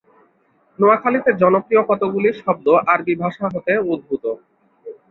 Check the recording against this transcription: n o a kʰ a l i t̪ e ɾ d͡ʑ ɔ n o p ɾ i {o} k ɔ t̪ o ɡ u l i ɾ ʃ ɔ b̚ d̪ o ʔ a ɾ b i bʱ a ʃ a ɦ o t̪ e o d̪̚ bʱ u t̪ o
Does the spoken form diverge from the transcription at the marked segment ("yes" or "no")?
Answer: no